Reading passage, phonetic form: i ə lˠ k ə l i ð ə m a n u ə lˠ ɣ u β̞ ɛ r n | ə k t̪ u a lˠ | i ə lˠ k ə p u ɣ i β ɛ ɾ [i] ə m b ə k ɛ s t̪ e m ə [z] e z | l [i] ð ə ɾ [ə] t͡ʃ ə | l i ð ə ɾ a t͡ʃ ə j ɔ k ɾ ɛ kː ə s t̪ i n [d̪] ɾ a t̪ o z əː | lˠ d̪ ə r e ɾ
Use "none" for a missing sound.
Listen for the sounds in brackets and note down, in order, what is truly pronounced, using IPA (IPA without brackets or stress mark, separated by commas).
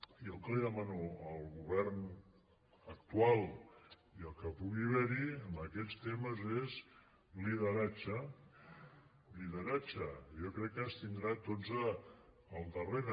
i, z, i, a, d̪